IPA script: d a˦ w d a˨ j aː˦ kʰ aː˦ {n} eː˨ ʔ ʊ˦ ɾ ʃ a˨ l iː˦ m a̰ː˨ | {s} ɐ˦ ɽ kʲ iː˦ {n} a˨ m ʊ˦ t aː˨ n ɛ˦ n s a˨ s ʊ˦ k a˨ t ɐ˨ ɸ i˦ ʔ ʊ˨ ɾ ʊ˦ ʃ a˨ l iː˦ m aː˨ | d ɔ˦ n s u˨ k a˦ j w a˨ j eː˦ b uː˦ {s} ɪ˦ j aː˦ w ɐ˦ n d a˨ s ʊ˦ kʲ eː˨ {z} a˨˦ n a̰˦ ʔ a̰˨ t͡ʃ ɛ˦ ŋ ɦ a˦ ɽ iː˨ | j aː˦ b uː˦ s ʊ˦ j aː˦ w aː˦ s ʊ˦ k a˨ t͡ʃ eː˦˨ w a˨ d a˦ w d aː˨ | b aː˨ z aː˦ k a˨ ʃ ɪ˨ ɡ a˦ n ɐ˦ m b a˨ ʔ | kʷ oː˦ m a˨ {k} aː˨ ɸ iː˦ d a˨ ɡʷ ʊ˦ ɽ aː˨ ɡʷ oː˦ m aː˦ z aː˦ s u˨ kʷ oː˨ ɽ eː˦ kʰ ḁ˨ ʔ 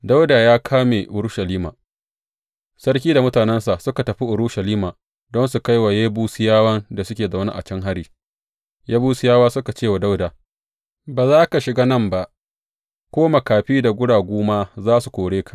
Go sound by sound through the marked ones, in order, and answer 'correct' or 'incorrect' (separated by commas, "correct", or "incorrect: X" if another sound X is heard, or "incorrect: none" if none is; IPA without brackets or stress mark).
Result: incorrect: m, correct, incorrect: d, correct, correct, correct